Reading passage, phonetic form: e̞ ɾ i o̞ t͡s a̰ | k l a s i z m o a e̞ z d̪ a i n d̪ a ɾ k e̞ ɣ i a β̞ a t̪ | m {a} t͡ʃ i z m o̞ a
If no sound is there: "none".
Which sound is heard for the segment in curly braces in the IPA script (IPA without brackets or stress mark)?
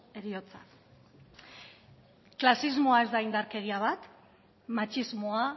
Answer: a